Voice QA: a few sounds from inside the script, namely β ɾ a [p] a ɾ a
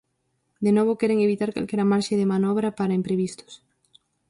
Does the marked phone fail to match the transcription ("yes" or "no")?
no